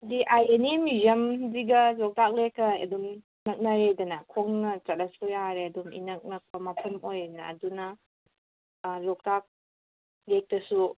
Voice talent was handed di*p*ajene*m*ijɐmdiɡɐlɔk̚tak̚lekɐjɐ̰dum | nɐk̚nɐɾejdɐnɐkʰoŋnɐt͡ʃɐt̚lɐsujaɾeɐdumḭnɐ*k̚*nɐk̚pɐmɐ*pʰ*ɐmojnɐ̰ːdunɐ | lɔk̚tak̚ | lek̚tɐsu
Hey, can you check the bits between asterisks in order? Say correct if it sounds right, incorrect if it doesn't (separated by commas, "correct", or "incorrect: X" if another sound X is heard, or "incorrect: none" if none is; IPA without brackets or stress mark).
incorrect: ʔ, correct, correct, correct